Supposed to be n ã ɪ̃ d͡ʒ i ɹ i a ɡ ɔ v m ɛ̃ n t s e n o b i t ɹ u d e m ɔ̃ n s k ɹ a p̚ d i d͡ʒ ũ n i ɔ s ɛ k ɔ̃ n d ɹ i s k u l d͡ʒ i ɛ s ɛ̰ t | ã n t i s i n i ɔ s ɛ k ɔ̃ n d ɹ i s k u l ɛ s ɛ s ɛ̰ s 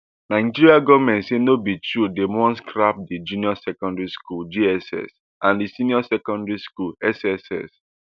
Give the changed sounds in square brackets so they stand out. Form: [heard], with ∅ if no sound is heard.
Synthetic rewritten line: n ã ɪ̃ d͡ʒ i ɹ i a ɡ ɔ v m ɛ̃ n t s e n o b i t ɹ u d e m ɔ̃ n s k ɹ a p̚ d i d͡ʒ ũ n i ɔ s ɛ k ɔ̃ n d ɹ i s k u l d͡ʒ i ɛ s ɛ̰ [s] | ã n [d] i s i n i ɔ s ɛ k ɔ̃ n d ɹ i s k u l ɛ s ɛ s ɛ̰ s